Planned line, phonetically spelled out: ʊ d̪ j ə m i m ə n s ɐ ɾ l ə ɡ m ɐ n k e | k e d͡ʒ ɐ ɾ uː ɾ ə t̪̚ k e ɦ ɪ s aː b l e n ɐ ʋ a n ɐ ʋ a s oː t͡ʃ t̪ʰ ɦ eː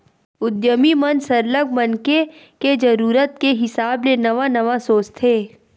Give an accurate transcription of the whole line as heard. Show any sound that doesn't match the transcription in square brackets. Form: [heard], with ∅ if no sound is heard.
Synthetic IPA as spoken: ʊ d̪ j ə m i m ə n s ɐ ɾ l ə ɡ m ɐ n k e | k e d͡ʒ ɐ ɾ uː ɾ ə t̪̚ k e ɦ ɪ s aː b l e n ɐ ʋ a n ɐ ʋ a s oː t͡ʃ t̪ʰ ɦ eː

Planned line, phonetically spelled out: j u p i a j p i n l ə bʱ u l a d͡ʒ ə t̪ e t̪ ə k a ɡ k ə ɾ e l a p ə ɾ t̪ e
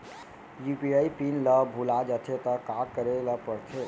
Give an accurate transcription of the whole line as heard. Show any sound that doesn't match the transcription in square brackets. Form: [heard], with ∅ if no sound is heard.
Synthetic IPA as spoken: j u p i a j p i n l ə bʱ u l a d͡ʒ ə [t̪ʰ] e t̪ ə k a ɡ k ə ɾ e l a p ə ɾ [t̪ʰ] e

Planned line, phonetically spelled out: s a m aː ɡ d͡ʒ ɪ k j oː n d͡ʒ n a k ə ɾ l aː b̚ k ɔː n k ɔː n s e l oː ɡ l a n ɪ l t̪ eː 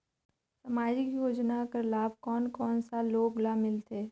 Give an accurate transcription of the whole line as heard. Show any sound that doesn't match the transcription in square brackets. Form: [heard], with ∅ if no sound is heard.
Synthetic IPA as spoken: s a m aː [∅] d͡ʒ ɪ k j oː [∅] d͡ʒ n a k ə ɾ l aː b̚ k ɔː n k ɔː n s [a] l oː ɡ l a [m] ɪ l t̪ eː

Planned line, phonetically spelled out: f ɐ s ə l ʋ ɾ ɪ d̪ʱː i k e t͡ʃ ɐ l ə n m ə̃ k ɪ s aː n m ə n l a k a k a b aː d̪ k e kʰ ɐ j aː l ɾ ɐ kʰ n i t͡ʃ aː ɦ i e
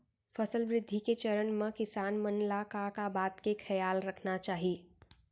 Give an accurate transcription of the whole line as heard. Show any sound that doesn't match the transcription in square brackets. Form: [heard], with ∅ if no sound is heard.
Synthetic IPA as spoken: f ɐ s ə l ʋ ɾ ɪ d̪ʱː i k e t͡ʃ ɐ [ɾ] ə n m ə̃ k ɪ s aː n m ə n l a k a k a b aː [t̪] k e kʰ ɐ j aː l ɾ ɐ kʰ n [a] t͡ʃ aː ɦ i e

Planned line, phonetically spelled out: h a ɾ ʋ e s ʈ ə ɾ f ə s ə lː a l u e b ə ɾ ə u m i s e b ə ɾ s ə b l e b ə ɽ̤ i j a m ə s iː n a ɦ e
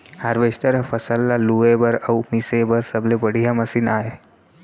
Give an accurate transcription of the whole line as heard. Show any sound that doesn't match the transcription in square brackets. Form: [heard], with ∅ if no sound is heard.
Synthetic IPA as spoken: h a ɾ ʋ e s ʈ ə ɾ f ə s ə lː a l u e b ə ɾ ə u m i s e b ə ɾ s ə b l e b ə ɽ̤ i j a m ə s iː n a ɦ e

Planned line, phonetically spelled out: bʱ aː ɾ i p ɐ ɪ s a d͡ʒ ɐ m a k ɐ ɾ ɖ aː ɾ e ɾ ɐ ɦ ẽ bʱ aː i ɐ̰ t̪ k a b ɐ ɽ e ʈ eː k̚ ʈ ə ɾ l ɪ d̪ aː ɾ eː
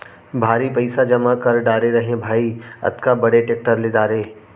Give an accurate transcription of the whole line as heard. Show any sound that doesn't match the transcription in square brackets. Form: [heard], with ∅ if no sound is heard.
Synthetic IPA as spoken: bʱ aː ɾ i p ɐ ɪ s a d͡ʒ ɐ m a k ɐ ɾ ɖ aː ɾ e ɾ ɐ ɦ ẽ bʱ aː i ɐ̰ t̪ k a b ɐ ɽ e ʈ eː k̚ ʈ ə ɾ l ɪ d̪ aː ɾ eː

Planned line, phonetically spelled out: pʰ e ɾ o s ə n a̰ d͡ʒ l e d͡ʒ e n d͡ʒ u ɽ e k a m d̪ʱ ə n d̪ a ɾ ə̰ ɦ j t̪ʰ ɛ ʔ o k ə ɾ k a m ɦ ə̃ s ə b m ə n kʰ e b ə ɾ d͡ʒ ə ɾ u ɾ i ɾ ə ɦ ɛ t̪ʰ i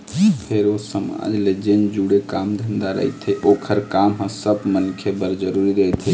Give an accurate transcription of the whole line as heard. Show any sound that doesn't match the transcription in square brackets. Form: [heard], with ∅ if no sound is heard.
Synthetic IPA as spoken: pʰ e ɾ o s ə [m] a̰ d͡ʒ l e d͡ʒ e n d͡ʒ u ɽ e k a m d̪ʱ ə n d̪ a ɾ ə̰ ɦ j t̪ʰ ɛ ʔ o [kʰ] ə ɾ k a m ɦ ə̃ s ə b m ə n kʰ e b ə ɾ d͡ʒ ə ɾ u ɾ i ɾ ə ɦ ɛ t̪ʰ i

